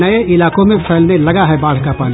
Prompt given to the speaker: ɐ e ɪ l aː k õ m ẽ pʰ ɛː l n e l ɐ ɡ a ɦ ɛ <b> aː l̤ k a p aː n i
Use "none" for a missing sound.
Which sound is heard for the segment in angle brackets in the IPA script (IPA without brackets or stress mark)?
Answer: b